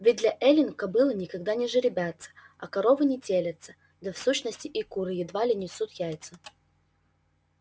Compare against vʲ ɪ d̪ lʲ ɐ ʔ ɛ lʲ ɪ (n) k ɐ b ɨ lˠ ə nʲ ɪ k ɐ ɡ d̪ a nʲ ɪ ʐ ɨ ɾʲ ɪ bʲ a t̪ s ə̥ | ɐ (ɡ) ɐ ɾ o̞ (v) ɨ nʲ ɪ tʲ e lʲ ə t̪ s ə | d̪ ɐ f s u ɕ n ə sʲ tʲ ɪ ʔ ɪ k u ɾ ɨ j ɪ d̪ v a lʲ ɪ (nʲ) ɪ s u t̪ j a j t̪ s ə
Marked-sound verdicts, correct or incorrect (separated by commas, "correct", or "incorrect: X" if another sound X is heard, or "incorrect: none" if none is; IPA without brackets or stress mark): correct, incorrect: k, correct, correct